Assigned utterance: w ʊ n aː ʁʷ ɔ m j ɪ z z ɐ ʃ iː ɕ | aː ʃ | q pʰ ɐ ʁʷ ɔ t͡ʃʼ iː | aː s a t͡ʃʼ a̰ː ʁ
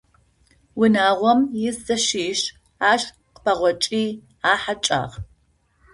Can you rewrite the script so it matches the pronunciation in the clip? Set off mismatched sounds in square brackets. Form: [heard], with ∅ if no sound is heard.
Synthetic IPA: w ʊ n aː ʁʷ ɔ m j ɪ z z ɐ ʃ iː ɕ | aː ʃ | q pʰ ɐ ʁʷ ɔ t͡ʃʼ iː | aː [ħ] a t͡ʃʼ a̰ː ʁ